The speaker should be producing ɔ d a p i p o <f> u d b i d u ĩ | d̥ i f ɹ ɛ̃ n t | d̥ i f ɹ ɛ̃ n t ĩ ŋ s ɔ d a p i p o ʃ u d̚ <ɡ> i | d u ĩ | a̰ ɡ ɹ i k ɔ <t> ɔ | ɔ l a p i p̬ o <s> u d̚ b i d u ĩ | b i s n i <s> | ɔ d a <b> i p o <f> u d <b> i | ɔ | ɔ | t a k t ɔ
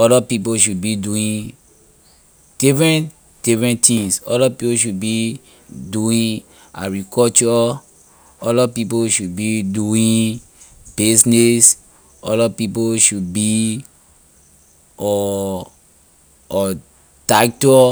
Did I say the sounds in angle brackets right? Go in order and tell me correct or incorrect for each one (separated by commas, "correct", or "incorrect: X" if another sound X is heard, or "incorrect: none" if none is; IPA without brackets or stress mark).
incorrect: ʃ, incorrect: b, incorrect: t͡ʃ, incorrect: ʃ, correct, incorrect: p, incorrect: ʃ, correct